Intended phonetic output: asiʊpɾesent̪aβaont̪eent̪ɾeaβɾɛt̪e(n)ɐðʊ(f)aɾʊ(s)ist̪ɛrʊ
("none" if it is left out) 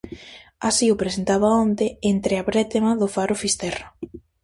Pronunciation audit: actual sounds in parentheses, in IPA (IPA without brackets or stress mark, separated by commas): m, f, f